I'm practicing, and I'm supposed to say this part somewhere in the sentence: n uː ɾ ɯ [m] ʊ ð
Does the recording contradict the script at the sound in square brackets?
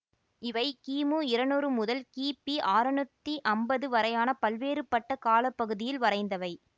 no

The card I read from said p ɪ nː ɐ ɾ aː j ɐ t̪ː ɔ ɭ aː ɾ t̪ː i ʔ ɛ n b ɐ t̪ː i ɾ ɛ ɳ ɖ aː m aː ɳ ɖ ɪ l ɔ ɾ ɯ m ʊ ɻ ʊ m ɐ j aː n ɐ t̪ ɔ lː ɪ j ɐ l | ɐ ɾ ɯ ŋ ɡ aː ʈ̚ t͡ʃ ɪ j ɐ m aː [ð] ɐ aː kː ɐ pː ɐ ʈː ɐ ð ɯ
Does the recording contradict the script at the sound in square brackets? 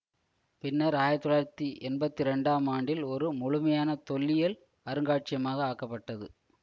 yes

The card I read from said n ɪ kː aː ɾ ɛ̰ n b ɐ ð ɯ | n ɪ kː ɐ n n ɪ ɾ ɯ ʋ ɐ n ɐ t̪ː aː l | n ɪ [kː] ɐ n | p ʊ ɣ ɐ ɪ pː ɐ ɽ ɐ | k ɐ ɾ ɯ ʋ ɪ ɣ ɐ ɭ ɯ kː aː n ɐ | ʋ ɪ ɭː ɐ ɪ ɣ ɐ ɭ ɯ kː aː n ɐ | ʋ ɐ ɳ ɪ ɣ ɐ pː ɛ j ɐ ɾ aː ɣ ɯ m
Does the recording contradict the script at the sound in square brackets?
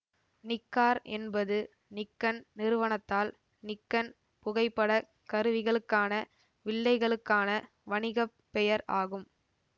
no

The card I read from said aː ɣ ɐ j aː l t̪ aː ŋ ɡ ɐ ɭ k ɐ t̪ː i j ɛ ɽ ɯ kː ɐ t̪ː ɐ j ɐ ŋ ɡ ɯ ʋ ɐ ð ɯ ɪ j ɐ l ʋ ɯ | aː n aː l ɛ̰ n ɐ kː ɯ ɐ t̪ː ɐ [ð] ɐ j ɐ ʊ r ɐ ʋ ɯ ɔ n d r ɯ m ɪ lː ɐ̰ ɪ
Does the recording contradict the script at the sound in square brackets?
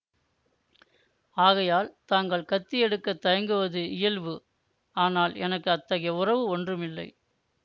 yes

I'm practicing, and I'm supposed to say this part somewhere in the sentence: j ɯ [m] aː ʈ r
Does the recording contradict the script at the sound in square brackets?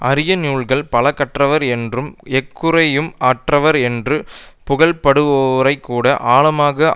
no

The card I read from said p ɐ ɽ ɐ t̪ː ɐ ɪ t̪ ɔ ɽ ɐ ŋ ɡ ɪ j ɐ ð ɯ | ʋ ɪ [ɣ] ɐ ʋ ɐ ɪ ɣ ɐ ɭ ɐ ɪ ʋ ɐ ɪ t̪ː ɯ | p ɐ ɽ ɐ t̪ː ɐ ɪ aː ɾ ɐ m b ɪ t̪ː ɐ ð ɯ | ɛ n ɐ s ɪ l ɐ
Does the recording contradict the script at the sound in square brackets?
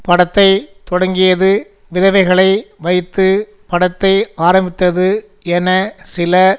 yes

